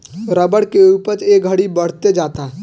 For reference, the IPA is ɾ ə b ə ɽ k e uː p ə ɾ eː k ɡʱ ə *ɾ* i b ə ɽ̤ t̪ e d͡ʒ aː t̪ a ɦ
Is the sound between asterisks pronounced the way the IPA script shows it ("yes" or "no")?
no